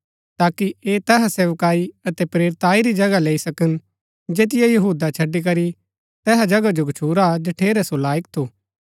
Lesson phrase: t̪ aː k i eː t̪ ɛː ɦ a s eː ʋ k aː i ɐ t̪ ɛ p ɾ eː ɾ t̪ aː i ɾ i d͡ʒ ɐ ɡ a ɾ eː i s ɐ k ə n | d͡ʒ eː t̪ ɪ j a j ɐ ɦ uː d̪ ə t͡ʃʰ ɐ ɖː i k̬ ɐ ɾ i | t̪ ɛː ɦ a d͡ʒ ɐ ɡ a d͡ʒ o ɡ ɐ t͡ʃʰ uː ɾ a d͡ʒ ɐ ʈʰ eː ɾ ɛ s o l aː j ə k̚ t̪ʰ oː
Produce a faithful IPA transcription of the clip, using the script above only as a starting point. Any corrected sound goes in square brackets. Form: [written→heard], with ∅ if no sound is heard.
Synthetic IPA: t̪ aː k i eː t̪ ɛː ɦ a s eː ʋ k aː i ɐ t̪ ɛ p ɾ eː ɾ t̪ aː i ɾ i d͡ʒ ɐ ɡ a [ɾ→l] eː i s ɐ k ə n | d͡ʒ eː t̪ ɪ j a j ɐ ɦ uː d̪ [ə→a] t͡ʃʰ ɐ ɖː i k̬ ɐ ɾ i | t̪ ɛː ɦ a d͡ʒ ɐ ɡ a d͡ʒ o ɡ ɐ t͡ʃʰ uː ɾ a d͡ʒ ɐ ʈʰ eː ɾ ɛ s o l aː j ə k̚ t̪ʰ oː